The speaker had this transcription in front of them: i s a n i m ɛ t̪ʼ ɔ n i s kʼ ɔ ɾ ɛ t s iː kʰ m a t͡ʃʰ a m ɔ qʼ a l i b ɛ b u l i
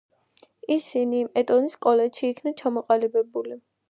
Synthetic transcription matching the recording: i s i n i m ɛ t̪ʼ ɔ n i s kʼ ɔ l ɛ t ʃ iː kʰ n a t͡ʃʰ a m ɔ qʼ a l i b ɛ b u l i